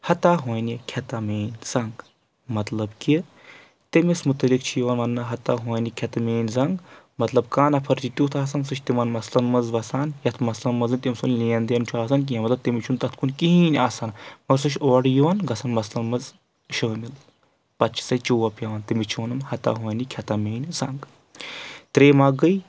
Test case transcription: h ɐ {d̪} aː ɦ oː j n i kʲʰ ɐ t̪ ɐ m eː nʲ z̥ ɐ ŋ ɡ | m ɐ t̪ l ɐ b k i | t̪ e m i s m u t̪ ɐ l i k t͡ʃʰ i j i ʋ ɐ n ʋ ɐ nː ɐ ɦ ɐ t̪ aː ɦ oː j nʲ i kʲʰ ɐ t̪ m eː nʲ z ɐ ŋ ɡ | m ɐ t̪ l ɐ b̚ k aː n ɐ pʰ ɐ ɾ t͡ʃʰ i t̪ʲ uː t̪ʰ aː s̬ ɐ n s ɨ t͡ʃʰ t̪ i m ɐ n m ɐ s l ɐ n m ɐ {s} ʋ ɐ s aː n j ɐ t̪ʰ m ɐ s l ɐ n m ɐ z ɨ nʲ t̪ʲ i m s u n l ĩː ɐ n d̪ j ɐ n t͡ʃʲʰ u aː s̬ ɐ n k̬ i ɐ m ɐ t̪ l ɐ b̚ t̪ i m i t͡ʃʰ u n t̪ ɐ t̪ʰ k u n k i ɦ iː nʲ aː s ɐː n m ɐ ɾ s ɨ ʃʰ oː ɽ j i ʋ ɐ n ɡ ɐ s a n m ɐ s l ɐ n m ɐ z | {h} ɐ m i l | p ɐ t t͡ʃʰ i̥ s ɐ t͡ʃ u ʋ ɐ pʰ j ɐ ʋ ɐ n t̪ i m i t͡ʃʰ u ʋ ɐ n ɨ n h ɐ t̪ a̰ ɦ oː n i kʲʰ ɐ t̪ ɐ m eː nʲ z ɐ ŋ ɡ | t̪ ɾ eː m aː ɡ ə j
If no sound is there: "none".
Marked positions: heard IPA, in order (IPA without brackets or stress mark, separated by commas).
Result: t̪, z, ʃ